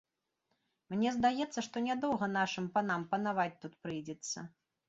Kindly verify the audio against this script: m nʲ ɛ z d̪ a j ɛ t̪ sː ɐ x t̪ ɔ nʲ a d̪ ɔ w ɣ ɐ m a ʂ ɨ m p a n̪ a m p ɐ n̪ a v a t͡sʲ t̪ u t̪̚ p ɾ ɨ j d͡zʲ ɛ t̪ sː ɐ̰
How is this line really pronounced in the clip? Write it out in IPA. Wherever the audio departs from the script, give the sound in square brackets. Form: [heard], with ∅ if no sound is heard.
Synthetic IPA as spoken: m nʲ ɛ z d̪ a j ɛ t̪ sː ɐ [ʂ] t̪ ɔ nʲ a d̪ ɔ w ɣ ɐ [n] a ʂ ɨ m p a n̪ a m p ɐ n̪ a v a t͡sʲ t̪ u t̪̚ p ɾ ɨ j d͡zʲ ɛ t̪ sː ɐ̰